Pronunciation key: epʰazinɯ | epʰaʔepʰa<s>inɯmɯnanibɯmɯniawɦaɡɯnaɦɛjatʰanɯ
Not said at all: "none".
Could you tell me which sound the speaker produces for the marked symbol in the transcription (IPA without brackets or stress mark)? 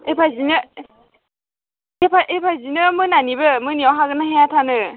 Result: z